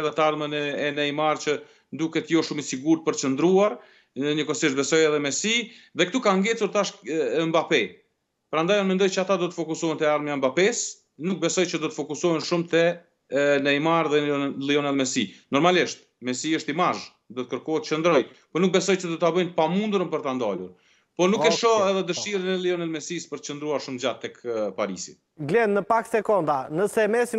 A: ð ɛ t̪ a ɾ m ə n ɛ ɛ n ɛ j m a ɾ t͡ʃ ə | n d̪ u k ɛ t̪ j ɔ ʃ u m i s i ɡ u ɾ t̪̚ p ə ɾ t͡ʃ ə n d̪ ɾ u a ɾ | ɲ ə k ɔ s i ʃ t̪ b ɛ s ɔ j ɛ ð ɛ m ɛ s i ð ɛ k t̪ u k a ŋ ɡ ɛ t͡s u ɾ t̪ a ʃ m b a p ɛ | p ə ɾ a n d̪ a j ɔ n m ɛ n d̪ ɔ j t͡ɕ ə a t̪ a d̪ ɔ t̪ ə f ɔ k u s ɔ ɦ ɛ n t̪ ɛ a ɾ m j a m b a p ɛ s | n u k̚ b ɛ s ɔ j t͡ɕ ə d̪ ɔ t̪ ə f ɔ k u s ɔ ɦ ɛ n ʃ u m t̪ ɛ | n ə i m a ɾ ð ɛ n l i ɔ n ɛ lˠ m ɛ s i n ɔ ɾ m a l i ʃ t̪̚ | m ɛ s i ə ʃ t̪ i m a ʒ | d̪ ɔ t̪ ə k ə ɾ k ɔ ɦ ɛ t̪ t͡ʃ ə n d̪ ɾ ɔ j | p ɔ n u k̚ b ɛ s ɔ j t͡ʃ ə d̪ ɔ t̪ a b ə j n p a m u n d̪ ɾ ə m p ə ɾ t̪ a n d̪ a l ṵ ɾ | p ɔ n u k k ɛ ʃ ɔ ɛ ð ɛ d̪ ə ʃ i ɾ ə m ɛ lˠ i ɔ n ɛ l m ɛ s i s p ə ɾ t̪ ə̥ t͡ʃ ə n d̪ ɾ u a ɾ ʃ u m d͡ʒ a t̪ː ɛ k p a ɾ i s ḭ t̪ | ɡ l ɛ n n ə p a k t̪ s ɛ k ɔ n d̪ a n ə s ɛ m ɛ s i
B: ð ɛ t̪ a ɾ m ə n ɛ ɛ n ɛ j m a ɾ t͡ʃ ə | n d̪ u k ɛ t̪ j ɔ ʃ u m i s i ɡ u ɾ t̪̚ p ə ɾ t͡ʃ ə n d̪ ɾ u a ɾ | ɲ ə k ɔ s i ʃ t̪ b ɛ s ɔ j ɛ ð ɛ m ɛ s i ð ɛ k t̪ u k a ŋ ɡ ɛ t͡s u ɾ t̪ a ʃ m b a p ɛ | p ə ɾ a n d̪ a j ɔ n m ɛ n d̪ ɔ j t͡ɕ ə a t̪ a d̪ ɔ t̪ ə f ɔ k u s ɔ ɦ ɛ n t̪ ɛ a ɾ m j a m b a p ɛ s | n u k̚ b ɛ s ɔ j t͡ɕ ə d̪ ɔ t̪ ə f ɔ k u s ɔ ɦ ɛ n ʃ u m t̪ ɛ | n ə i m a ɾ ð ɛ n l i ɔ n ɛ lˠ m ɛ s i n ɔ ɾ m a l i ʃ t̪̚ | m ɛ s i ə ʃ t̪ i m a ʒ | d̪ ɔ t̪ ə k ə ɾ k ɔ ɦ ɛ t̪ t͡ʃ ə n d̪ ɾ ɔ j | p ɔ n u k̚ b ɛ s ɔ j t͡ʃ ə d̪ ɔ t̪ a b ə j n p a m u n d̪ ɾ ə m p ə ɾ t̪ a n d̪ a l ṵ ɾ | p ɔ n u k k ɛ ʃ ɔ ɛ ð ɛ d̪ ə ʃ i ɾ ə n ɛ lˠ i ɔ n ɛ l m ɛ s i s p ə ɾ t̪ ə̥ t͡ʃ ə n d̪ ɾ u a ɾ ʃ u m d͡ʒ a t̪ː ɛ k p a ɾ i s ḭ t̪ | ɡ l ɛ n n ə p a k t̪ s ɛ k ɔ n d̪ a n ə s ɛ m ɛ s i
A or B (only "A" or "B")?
B